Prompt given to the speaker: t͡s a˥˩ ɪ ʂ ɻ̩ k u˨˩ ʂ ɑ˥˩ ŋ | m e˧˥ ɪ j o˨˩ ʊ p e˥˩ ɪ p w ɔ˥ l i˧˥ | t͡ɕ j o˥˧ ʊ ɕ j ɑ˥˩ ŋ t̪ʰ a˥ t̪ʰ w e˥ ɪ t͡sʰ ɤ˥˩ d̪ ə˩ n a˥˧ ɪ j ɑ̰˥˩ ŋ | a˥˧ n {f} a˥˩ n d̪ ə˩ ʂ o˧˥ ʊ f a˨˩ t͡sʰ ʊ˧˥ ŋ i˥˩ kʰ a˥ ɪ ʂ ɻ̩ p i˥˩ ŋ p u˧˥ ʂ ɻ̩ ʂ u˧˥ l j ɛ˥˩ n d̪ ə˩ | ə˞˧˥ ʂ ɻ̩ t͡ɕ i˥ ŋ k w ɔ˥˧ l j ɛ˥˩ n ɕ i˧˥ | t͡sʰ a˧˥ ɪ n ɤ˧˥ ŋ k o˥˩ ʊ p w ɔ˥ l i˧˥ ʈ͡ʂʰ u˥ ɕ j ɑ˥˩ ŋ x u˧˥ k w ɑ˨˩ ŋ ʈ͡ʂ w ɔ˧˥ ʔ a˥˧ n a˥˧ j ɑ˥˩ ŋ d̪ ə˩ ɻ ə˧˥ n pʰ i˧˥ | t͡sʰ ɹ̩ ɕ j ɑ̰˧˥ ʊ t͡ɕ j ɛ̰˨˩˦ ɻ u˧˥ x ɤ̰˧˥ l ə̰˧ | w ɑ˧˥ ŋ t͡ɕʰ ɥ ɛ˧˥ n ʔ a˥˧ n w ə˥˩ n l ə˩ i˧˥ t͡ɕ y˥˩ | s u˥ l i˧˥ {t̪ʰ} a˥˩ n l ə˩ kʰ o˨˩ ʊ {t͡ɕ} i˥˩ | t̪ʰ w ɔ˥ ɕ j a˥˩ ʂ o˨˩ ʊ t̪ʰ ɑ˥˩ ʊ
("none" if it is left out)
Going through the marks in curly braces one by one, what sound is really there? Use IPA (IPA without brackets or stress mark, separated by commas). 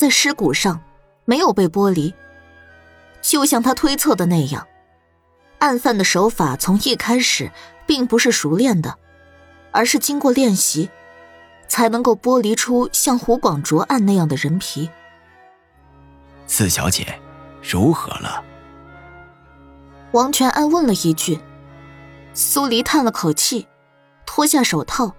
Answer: f, t̪ʰ, t͡ɕʰ